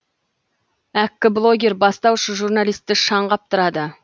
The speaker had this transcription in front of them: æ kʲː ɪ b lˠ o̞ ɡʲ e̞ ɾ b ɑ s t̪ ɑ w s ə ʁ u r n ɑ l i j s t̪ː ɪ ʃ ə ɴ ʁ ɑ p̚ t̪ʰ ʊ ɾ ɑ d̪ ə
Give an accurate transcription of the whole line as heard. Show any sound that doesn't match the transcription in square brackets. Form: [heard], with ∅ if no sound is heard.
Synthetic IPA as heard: æ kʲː ɪ b lˠ o̞ ɡʲ e̞ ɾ b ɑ s t̪ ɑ w [ʃ] ə [ʒ] u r n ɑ l i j s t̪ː ɪ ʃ [ɑ] ɴ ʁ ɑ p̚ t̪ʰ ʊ ɾ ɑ d̪ ə